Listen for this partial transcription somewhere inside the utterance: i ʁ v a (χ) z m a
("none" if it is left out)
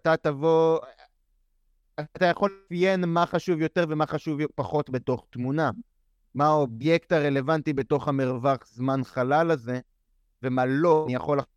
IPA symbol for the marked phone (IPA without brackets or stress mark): χ